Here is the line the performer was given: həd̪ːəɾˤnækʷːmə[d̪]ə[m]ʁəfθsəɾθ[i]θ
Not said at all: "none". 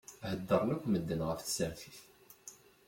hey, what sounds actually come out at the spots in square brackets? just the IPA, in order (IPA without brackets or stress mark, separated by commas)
d̪ː, n, i